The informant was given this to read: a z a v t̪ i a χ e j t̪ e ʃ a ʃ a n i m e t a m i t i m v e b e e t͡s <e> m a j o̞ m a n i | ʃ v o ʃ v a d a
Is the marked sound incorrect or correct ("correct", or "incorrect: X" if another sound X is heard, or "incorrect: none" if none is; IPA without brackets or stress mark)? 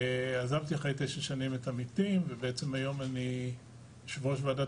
correct